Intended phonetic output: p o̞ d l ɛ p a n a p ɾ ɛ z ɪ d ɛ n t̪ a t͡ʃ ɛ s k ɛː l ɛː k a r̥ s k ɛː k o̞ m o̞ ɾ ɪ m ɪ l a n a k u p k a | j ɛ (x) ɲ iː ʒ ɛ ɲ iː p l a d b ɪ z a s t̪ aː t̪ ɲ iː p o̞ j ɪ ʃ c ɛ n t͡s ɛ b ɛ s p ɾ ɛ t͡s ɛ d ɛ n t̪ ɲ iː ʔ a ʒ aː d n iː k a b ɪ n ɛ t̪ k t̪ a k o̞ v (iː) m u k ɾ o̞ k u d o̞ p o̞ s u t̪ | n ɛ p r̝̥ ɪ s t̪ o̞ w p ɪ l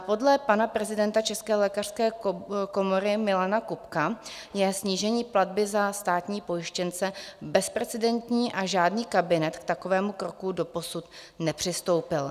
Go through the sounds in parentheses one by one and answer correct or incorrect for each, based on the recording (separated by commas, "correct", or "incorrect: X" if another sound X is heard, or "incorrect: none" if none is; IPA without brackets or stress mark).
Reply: incorrect: s, incorrect: ɛː